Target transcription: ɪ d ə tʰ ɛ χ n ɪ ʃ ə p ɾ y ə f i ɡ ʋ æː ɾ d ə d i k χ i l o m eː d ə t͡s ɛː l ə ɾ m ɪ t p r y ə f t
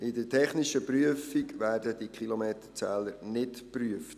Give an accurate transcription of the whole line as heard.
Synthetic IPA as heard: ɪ d ə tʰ ɛ χ n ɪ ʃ ə p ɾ y ə f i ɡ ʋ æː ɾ d ə d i k χ i l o m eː t ə t͡s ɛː l ə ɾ n ɪ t p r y ə f t